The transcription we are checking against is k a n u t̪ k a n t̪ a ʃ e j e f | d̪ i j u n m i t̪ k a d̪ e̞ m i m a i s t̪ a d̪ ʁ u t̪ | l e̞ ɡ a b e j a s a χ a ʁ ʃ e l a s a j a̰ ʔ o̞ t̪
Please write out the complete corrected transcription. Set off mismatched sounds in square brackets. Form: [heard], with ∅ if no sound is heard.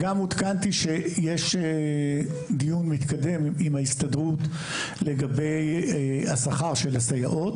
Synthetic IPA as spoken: [ɡ] a [m] u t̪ k a n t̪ [i] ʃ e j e [ʃ] | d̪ i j u n m i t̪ k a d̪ e̞ m i m a i s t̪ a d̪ ʁ u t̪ | l e̞ ɡ a b e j a s a χ a ʁ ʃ e l a s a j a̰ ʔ o̞ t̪